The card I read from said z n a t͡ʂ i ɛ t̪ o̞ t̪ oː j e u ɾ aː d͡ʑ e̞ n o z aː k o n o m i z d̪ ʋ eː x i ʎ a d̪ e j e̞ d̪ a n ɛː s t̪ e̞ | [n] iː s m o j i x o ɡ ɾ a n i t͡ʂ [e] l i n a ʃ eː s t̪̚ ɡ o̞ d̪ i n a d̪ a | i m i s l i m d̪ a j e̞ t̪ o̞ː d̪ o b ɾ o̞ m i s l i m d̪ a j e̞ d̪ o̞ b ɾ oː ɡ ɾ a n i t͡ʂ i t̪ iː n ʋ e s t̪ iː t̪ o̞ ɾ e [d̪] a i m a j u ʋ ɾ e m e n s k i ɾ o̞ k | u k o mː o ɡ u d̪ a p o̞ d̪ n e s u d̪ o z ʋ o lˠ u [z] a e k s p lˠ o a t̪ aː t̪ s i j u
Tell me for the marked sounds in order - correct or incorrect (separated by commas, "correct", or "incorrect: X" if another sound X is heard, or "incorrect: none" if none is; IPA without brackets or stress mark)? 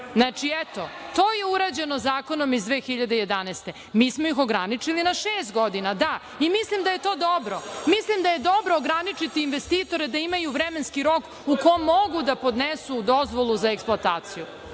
incorrect: m, incorrect: i, correct, correct